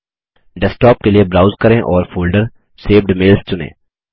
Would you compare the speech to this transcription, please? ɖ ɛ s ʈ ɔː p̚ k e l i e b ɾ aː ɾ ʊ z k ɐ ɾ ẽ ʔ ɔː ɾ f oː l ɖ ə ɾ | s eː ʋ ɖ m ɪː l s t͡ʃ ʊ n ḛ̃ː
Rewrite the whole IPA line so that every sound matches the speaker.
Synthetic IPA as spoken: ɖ ɛ s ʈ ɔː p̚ k e l i e b ɾ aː ʊ z k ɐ ɾ ẽ ʔ ɔː ɾ f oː l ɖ ə ɾ | s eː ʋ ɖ m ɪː l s t͡ʃ ʊ n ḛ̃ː